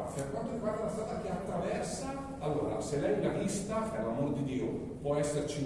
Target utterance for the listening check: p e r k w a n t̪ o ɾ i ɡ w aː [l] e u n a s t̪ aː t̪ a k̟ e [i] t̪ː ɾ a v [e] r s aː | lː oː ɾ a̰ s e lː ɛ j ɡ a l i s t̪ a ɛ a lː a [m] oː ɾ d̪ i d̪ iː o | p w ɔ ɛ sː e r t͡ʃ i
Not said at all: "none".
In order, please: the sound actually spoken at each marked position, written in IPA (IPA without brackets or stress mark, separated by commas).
ɾ, a, ɛ, m